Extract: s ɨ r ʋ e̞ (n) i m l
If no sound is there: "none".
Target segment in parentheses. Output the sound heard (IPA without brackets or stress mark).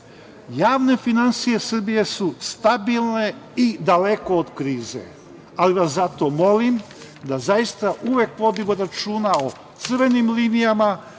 n